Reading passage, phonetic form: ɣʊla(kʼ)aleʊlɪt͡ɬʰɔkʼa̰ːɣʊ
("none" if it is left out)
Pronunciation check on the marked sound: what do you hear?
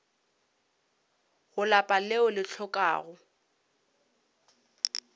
pʼ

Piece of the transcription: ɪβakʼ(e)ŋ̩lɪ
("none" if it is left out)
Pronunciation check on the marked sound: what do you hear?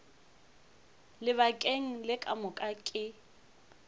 e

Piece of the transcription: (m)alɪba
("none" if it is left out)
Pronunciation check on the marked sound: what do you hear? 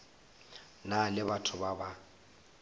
n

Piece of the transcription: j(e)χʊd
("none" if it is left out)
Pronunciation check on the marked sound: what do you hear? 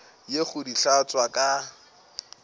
e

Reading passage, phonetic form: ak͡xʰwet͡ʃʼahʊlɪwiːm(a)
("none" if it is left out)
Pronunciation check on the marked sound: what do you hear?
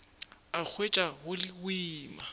a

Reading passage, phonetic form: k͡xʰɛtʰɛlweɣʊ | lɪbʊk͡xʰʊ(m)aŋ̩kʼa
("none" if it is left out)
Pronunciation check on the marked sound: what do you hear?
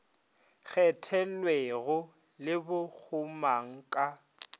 m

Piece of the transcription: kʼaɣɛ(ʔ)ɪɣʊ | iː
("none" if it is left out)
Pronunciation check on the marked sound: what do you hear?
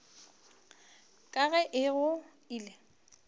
ʔ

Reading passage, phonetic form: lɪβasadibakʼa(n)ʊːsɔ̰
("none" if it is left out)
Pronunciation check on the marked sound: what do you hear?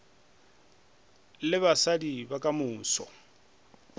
m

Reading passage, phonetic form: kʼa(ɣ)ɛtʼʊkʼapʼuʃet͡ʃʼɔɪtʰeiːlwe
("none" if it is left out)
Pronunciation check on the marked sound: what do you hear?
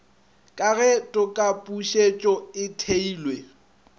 ɣ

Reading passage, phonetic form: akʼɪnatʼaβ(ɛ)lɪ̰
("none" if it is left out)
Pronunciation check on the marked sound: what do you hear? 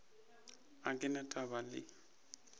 a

